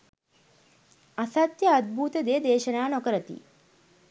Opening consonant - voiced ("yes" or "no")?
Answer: no